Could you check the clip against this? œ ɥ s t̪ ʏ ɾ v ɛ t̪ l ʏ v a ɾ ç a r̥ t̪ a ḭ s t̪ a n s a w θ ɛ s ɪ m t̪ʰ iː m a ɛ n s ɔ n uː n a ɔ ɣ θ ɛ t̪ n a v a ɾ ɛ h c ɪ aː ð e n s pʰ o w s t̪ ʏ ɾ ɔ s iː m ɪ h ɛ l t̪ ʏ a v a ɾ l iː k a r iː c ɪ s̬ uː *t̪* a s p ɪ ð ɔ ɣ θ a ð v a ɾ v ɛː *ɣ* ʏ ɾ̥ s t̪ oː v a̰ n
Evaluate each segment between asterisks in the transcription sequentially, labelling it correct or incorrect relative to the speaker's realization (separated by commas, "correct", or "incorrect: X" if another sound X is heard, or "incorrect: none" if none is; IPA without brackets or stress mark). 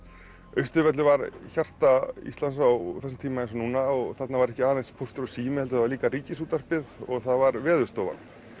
correct, incorrect: ð